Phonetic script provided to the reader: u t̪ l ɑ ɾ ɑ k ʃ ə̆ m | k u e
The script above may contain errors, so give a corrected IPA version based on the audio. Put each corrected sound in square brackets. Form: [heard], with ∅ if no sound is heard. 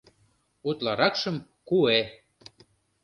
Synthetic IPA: u t̪ l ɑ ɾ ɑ k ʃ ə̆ m | k u e